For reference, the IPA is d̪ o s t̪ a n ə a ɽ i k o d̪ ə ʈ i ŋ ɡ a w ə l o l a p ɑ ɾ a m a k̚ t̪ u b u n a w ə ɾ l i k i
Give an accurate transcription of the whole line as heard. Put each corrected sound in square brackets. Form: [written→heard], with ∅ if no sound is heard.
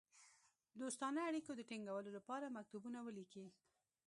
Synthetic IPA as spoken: d̪ o s t̪ [a→ɑ] n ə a ɽ i k o d̪ ə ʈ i ŋ ɡ a w ə l o l a p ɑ ɾ a m a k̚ t̪ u b u n a w ə [ɾ→∅] l i k i